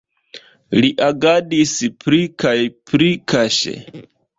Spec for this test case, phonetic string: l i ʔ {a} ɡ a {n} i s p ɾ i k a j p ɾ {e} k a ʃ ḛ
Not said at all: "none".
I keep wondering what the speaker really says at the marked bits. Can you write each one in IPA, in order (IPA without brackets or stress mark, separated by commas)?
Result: a, d, i